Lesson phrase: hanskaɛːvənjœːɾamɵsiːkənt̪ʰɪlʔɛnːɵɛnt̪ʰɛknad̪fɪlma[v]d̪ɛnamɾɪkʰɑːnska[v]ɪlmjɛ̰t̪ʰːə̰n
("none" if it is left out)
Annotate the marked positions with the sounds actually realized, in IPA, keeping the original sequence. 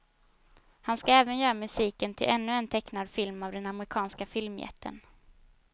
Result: v, f

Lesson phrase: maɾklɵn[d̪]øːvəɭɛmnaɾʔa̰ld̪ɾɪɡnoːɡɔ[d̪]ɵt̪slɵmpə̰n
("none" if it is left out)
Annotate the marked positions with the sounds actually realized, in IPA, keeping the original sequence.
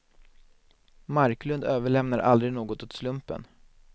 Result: d̪, t̪

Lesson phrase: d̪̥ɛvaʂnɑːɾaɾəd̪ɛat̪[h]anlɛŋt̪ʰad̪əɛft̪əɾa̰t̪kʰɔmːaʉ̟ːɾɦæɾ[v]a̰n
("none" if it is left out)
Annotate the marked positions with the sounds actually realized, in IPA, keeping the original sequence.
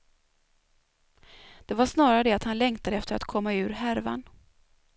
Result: h, v

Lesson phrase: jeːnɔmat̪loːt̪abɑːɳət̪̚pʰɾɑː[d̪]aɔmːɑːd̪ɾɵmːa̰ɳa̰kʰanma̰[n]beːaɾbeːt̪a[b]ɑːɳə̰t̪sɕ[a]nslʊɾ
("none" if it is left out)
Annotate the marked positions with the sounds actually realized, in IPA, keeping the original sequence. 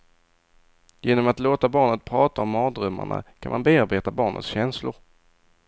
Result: t̪, n, b, ɛ

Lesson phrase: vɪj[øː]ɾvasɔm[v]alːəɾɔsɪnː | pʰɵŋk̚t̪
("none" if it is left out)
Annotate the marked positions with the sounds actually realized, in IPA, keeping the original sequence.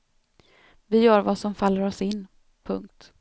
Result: œː, f

